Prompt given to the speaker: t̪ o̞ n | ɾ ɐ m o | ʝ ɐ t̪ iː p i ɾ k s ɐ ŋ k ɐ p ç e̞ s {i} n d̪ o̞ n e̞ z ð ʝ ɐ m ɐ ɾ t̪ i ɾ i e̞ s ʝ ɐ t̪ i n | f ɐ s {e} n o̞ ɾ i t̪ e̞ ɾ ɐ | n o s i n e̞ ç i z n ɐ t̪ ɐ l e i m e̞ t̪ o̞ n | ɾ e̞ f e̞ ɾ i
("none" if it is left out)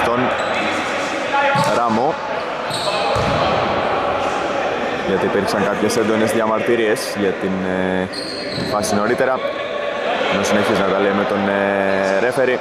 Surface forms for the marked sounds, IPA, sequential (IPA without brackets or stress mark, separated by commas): e, i